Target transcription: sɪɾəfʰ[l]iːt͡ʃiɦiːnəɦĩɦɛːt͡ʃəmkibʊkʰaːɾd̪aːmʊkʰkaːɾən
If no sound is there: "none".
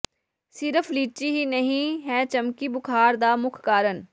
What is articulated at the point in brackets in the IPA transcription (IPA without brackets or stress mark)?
l